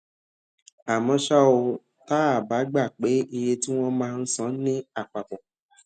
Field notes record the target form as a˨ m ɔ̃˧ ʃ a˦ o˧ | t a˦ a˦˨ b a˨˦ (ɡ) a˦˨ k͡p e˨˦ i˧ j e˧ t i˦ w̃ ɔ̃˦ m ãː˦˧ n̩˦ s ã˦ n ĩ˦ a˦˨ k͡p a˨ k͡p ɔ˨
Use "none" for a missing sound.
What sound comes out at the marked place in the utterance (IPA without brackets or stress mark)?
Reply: ɡ͡b